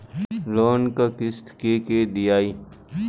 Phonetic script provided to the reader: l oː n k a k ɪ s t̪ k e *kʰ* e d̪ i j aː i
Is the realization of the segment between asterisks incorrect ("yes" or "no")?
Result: yes